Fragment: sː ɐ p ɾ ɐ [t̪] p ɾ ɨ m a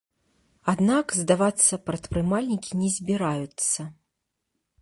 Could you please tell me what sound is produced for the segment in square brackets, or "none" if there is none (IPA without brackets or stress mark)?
t̪